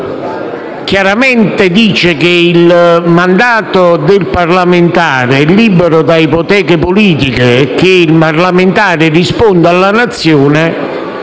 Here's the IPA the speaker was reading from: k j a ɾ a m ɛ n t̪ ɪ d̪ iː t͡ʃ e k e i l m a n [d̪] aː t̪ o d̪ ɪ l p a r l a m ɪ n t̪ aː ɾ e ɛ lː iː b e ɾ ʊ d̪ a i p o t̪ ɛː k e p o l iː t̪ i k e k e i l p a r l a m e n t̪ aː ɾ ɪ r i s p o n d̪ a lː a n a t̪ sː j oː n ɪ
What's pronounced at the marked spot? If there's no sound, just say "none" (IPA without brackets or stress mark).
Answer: d̪